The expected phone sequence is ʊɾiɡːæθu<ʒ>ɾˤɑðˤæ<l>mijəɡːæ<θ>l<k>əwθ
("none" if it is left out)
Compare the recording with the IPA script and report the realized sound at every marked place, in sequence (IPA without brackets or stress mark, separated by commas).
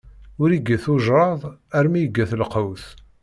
ʒ, ɾ, θ, q